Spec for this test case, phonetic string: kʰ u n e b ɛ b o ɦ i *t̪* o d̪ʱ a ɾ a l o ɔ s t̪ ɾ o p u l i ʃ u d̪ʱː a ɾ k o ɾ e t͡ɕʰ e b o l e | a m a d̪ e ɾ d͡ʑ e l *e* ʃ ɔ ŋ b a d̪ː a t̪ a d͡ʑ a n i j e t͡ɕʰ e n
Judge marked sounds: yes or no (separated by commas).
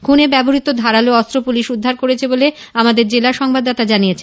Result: yes, no